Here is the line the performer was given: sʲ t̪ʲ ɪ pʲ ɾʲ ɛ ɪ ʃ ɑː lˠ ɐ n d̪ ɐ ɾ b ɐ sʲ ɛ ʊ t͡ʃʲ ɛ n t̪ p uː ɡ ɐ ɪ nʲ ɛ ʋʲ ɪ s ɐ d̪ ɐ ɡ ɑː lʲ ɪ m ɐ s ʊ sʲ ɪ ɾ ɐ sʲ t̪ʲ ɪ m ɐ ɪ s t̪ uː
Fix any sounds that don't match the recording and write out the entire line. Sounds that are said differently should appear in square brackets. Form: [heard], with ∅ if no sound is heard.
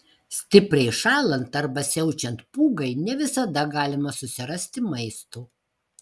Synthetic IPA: sʲ t̪ʲ ɪ pʲ ɾʲ ɛ ɪ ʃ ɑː lˠ ɐ n [t̪] ɐ ɾ b ɐ sʲ ɛ ʊ t͡ʃʲ ɛ n t̪ p uː ɡ ɐ ɪ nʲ ɛ ʋʲ ɪ s ɐ d̪ ɐ ɡ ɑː lʲ ɪ m ɐ s ʊ sʲ ɪ ɾ ɐ sʲ t̪ʲ ɪ m ɐ ɪ s t̪ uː